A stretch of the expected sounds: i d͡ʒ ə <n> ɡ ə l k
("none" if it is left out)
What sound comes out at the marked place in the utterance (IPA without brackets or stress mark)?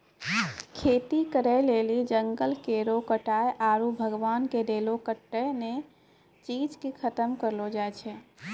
ŋ